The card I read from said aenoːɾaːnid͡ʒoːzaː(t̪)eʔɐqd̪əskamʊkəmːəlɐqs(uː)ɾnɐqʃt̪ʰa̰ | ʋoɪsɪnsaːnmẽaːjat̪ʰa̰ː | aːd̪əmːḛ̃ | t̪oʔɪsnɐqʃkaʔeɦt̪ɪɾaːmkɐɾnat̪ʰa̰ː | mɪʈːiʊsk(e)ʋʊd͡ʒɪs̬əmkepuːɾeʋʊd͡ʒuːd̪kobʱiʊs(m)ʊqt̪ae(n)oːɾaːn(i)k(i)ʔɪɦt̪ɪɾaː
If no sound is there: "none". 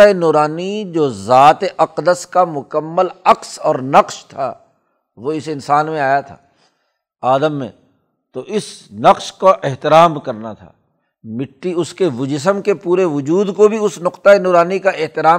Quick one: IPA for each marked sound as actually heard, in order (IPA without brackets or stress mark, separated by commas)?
t̪, ɔː, e, n, n, i, a